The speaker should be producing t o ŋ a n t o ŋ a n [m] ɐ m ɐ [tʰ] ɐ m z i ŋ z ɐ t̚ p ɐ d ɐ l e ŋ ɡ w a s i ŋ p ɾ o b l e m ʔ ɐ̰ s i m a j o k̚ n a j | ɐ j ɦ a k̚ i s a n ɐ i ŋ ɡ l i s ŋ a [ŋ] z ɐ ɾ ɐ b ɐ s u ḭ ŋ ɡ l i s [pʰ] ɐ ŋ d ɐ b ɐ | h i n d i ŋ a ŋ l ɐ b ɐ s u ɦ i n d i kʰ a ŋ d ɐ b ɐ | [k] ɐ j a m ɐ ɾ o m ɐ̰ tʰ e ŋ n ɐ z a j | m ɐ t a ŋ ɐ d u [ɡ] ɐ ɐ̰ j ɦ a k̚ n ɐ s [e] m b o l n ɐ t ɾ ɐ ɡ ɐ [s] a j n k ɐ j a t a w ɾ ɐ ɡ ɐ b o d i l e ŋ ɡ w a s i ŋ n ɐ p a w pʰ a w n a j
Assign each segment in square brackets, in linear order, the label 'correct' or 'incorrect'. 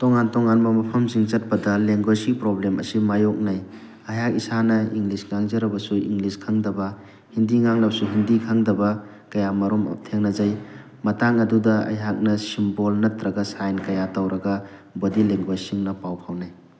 correct, incorrect: pʰ, correct, incorrect: kʰ, correct, incorrect: d, incorrect: i, correct

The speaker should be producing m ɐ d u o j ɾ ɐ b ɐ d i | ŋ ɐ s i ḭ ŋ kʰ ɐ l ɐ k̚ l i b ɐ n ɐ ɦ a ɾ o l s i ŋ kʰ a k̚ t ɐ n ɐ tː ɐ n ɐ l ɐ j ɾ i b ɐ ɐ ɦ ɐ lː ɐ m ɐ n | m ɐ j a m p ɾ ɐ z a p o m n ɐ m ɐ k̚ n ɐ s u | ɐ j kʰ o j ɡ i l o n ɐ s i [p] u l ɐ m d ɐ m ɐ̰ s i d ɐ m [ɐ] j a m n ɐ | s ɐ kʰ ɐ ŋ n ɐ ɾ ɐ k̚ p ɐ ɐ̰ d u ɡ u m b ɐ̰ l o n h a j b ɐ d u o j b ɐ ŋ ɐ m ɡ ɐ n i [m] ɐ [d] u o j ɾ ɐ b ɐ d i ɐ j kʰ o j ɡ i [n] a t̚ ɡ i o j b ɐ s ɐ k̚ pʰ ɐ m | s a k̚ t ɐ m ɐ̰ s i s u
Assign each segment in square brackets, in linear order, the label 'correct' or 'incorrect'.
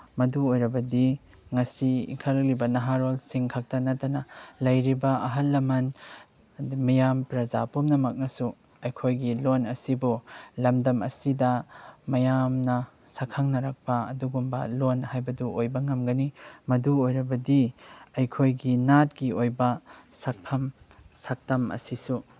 incorrect: b, correct, correct, correct, correct

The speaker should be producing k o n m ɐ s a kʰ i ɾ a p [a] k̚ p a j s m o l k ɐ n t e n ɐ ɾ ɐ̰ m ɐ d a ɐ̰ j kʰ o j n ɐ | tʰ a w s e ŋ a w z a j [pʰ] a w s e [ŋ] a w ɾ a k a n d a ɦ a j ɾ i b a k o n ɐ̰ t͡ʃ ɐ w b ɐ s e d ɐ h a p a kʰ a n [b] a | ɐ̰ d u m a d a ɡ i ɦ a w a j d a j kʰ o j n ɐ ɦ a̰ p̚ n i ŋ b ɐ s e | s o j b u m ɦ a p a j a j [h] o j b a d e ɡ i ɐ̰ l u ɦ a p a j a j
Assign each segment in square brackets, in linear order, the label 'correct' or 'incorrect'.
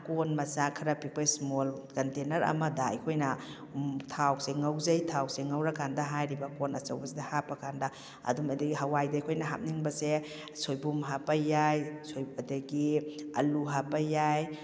incorrect: i, incorrect: tʰ, correct, incorrect: d, incorrect: s

